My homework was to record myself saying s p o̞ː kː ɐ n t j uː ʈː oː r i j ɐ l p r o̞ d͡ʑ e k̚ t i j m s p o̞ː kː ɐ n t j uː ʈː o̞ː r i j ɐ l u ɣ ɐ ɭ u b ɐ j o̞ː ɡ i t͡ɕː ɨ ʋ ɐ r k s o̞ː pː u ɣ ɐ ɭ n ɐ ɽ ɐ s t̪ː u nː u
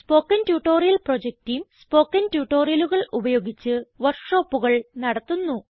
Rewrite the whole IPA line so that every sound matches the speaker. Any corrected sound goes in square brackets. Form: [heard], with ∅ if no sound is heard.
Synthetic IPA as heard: s p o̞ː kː ɐ n t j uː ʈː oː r i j ɐ l p r o̞ d͡ʑ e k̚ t i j m s p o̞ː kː ɐ n t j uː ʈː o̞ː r i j ɐ l u ɣ ɐ ɭ u b ɐ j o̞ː ɡ i t͡ɕː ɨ ʋ ɐ r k [ʂ] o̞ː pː u ɣ ɐ ɭ n ɐ ɽ ɐ [∅] t̪ː u nː u